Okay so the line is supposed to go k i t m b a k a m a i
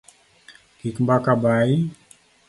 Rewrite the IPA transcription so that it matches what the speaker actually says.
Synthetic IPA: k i k m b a k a b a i